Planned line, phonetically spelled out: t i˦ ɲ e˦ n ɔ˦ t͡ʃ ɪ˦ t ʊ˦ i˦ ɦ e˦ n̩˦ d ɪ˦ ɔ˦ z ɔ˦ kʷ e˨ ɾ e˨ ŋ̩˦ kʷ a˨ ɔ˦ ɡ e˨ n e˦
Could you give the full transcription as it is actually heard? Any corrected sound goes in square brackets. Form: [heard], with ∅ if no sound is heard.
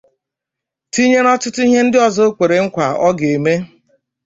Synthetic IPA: t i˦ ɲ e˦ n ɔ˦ t͡ʃ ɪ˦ t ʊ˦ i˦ ɦ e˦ n̩˦ d ɪ˦ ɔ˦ z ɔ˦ kʷ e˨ ɾ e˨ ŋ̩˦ kʷ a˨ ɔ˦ ɡ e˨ [m] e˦

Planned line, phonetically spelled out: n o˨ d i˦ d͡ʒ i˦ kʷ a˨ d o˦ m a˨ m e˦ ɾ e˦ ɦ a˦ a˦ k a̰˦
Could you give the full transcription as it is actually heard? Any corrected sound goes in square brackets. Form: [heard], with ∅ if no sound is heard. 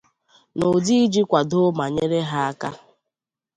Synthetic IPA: n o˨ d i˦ d͡ʒ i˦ kʷ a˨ d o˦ m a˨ [ɲ] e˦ ɾ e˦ ɦ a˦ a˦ k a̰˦

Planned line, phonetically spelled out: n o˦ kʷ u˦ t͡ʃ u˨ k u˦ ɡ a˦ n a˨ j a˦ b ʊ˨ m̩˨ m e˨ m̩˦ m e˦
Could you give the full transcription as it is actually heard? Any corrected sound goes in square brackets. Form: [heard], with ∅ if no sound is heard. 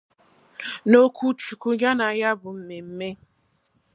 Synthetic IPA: n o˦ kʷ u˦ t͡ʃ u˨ k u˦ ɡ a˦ n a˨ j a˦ b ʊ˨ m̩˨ m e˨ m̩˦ m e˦

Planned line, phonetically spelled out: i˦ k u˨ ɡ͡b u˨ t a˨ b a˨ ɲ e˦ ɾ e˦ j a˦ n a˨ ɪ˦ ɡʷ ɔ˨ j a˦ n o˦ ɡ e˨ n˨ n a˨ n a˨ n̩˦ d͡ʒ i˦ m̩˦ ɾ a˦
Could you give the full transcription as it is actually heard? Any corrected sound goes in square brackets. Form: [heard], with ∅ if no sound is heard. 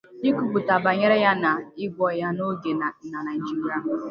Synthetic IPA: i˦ k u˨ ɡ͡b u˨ t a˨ b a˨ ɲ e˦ ɾ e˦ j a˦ n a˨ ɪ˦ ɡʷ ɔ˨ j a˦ n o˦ ɡ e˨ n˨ n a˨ n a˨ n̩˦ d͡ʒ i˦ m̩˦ ɾ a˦

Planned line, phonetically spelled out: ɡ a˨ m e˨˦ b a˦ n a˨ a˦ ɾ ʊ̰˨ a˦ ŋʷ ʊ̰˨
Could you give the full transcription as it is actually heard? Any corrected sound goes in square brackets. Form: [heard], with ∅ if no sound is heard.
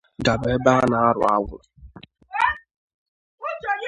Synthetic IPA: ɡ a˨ [b] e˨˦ b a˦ n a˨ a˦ ɾ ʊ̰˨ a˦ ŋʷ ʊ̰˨

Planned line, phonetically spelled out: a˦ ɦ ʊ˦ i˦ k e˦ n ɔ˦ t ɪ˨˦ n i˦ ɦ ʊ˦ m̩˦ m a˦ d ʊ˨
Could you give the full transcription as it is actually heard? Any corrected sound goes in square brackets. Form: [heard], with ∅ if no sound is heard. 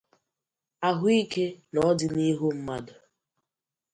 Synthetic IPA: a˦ ɦ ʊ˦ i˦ k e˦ n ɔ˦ [d] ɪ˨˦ n i˦ ɦ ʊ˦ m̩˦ m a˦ d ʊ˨

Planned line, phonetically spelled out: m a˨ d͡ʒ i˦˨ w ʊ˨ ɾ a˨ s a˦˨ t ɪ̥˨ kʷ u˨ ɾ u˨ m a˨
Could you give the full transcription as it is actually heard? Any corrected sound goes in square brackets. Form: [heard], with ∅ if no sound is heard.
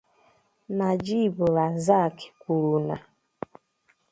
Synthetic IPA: [n] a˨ d͡ʒ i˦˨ [b] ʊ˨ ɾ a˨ [z] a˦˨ [k] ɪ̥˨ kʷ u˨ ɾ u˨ [n] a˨

